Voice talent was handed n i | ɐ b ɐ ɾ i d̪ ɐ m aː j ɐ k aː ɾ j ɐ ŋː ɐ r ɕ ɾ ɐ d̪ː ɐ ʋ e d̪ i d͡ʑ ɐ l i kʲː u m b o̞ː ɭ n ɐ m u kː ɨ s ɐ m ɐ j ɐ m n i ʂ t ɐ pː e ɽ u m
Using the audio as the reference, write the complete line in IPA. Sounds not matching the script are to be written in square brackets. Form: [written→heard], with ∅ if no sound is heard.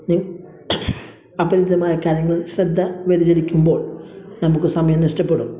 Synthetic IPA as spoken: n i | ɐ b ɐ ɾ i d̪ ɐ m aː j ɐ k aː ɾ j ɐ ŋː ɐ [r→ɭ] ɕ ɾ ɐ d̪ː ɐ ʋ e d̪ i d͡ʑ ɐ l i kʲː u m b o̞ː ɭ n ɐ m u kː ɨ s ɐ m ɐ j ɐ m n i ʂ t ɐ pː e ɽ u m